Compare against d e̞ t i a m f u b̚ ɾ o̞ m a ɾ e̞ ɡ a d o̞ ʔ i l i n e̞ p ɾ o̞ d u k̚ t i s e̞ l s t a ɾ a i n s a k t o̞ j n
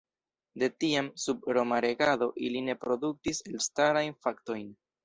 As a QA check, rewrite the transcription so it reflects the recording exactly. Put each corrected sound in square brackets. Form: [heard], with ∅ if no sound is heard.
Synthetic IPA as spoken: d e̞ t i a m [s] u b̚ ɾ o̞ m a ɾ e̞ ɡ a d o̞ ʔ i l i n e̞ p ɾ o̞ d u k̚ t i s e̞ l s t a ɾ a [j] n [f] a k t o̞ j n